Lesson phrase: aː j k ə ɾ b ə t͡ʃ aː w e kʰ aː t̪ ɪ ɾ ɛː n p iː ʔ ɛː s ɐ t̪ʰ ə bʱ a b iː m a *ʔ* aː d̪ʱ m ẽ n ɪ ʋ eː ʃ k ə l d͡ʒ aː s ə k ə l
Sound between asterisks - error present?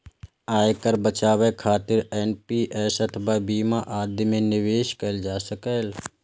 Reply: no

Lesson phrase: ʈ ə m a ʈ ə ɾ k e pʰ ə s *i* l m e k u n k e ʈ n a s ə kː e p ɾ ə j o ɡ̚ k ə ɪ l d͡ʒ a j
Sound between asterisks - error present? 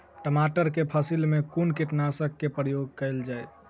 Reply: no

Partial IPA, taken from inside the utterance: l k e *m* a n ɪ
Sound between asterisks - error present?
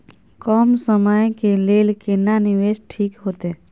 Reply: yes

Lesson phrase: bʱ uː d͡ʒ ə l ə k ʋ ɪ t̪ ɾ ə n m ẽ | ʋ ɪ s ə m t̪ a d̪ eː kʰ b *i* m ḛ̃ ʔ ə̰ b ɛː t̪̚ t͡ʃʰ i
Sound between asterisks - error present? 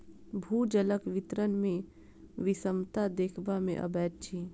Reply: yes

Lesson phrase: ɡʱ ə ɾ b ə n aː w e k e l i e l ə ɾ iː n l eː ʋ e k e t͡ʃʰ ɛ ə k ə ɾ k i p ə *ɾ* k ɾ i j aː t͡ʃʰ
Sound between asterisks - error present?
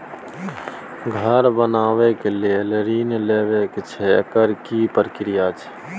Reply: no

